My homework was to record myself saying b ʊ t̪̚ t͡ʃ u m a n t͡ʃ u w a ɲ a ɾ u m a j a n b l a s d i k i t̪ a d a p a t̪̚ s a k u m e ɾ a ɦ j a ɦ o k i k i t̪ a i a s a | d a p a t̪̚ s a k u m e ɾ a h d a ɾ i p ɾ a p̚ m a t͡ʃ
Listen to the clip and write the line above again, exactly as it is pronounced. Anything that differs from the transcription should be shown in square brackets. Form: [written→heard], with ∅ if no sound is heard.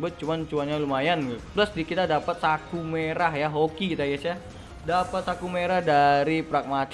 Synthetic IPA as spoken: b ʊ t̪̚ t͡ʃ u m a n t͡ʃ u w a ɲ a [ɾ→l] u m a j a n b l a s d i k i t̪ a d a p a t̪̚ s a k u m e ɾ a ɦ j a ɦ o k i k i t̪ a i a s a | d a p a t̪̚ s a k u m e ɾ a h d a ɾ i p ɾ a [p̚→k̚] m a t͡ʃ

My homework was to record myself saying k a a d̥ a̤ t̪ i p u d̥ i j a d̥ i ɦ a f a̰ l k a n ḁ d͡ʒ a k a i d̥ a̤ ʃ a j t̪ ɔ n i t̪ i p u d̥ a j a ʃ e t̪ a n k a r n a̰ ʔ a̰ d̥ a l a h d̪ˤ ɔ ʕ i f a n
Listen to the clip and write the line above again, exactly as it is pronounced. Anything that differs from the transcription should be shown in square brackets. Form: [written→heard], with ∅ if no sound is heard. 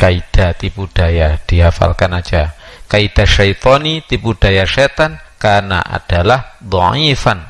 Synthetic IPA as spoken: k a [a→i] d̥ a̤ t̪ i p u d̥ [i→a] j a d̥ i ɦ a f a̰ l k a n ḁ d͡ʒ a k a i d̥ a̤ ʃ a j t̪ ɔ n i t̪ i p u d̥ a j a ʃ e t̪ a n k a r n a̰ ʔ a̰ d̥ a l a h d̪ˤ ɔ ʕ i f a n

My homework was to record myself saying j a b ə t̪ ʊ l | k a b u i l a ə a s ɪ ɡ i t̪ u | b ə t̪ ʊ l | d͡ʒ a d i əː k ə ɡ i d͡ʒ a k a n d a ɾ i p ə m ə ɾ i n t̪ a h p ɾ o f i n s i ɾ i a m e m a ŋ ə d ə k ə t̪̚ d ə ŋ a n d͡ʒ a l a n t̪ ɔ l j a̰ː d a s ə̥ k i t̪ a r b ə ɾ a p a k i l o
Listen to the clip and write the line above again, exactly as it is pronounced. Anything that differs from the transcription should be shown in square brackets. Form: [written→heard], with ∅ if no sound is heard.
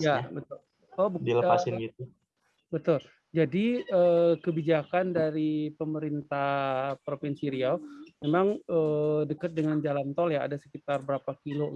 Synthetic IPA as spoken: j a b ə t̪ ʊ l | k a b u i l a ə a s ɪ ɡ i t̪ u | b ə t̪ ʊ l | d͡ʒ a d i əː k ə [ɡ→b] i d͡ʒ a k a n d a ɾ i p ə m ə ɾ i n t̪ a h p ɾ o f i n s i ɾ i a m e m a ŋ ə d ə k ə t̪̚ d ə ŋ a n d͡ʒ a l a n t̪ ɔ l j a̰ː d a s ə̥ k i t̪ a r b ə ɾ a p a k i l o

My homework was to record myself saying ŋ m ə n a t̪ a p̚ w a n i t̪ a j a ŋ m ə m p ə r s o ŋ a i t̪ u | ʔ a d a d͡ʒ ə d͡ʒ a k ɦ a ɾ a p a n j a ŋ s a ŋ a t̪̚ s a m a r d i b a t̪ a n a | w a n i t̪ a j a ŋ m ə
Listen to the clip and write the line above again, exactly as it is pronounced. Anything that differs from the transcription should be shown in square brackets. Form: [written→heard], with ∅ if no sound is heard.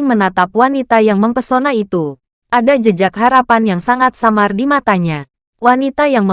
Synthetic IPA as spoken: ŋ m ə n a t̪ a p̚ w a n i t̪ a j a ŋ m ə m p ə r s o [ŋ→n] a i t̪ u | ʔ a d a d͡ʒ ə d͡ʒ a k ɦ a ɾ a p a n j a ŋ s a ŋ a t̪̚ s a m a r d i [b→m] a t̪ a [n→ɲ] a | w a n i t̪ a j a ŋ m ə

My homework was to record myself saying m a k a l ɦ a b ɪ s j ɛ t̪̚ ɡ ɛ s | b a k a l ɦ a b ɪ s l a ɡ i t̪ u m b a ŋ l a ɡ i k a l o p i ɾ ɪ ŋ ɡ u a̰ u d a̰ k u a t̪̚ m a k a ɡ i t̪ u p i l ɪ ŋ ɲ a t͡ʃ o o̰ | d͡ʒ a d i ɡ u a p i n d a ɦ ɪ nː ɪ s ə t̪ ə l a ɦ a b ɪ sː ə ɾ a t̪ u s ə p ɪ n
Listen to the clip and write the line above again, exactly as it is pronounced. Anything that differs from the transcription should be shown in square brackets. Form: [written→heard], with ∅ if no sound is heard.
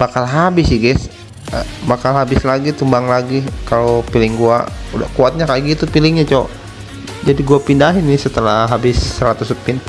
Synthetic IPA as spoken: [m→b] a k a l ɦ a b ɪ s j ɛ [t̪̚→∅] ɡ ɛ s | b a k a l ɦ a b ɪ s l a ɡ i t̪ u m b a ŋ l a ɡ i k a l o p i [ɾ→l] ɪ ŋ ɡ u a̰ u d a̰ k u a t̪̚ [m→ɲ] a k a ɡ i t̪ u p i l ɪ ŋ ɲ a t͡ʃ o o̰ | d͡ʒ a d i ɡ u a p i n d a ɦ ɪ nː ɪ s ə t̪ ə l a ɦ a b ɪ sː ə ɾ a t̪ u s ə p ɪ n

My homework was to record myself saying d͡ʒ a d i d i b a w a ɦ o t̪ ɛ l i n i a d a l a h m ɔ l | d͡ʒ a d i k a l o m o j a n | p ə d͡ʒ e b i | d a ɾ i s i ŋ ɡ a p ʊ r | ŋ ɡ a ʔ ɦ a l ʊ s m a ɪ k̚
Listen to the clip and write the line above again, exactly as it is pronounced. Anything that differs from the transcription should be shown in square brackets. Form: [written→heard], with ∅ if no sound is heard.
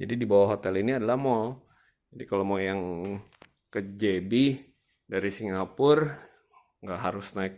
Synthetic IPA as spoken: d͡ʒ a d i d i b a w a ɦ o t̪ ɛ l i n i a d a l a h m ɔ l | d͡ʒ a d i k a l o m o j a [n→ŋ] | [p→k] ə d͡ʒ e b i | d a ɾ i s i ŋ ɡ a p ʊ r | ŋ ɡ a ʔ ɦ a [l→ɾ] ʊ s [m→n] a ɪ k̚

